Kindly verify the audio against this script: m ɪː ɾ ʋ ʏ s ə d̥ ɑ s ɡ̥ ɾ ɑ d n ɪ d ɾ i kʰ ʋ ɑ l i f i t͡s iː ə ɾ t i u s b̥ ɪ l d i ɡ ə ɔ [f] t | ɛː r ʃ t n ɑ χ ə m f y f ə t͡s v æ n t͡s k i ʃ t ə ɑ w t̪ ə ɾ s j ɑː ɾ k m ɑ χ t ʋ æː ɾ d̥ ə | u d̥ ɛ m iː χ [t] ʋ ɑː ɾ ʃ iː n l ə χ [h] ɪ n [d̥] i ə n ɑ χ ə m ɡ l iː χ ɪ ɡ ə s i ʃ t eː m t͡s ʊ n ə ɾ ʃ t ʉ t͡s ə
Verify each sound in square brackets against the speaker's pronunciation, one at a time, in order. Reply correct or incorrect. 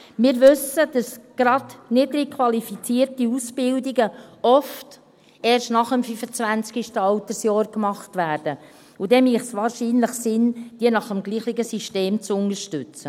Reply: correct, incorrect, incorrect, correct

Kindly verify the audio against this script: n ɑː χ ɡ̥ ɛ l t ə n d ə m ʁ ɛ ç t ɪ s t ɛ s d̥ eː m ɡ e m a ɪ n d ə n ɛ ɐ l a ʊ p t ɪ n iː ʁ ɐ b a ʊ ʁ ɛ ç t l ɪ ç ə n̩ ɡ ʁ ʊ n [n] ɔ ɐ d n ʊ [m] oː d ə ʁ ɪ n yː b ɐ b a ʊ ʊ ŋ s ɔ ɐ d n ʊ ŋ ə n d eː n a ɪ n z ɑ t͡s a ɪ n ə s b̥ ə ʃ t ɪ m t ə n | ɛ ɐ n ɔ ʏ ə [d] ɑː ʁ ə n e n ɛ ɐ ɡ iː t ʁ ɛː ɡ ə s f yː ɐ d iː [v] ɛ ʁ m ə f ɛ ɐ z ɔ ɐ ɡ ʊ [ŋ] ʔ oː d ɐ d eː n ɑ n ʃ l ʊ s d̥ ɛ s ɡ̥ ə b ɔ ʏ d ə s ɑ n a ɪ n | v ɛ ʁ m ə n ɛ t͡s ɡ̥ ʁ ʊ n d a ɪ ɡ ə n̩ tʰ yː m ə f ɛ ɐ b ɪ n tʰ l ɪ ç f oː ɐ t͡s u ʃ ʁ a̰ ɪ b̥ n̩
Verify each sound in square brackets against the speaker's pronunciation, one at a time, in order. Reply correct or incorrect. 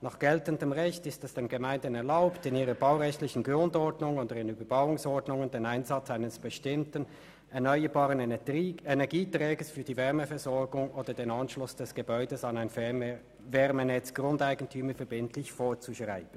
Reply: incorrect, incorrect, incorrect, correct, correct

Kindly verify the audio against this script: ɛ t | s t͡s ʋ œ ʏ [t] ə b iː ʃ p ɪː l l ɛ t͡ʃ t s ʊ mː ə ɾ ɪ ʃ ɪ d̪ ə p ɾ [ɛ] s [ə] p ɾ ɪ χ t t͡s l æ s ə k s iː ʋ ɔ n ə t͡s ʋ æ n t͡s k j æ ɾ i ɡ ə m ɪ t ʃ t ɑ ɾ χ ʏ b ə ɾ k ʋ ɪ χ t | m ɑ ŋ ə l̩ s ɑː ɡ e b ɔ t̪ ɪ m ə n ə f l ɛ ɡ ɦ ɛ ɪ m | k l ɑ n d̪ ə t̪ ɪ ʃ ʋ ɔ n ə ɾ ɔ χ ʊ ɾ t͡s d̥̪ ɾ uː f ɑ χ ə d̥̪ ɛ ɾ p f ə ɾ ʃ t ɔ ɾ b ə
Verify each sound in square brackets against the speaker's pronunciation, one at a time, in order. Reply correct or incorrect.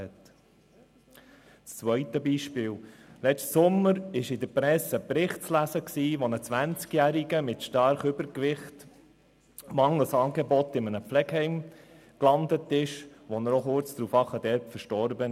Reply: correct, correct, correct

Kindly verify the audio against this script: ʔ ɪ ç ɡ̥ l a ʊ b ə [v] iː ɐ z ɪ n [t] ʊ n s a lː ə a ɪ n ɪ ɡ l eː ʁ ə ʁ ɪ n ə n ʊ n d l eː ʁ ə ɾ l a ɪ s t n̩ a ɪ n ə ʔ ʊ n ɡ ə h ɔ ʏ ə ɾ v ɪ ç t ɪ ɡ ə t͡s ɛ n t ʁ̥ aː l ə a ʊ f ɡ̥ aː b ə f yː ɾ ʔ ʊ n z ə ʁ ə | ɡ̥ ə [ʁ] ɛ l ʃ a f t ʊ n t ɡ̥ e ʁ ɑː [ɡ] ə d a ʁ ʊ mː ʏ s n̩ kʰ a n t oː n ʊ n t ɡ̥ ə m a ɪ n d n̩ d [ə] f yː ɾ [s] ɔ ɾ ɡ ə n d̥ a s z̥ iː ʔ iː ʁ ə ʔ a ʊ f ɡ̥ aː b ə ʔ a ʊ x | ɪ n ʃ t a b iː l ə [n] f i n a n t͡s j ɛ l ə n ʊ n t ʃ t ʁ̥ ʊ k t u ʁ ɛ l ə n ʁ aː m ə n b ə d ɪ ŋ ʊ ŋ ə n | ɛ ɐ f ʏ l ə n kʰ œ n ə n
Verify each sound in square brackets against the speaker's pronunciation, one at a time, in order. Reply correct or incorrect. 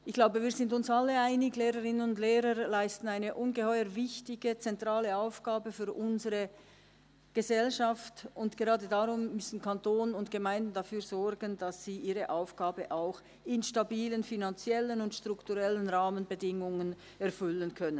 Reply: correct, incorrect, incorrect, incorrect, incorrect, incorrect, correct

